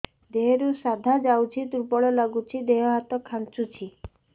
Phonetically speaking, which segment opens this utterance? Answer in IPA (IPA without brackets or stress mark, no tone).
d̪